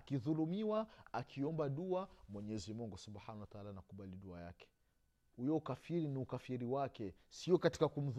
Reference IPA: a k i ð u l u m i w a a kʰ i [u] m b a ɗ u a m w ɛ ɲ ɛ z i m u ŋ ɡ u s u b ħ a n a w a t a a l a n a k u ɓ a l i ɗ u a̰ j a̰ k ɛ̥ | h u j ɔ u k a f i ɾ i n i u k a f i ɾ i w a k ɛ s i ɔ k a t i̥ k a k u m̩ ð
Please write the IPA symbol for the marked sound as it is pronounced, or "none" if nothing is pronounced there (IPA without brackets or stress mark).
ɔ